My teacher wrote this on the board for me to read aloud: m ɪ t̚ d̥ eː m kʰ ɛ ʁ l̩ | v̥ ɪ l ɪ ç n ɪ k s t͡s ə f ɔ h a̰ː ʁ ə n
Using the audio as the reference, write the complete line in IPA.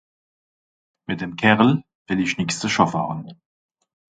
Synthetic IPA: m ɪ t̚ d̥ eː m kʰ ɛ ʁ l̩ | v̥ ɪ l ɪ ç n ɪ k s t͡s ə ʃ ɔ f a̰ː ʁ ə n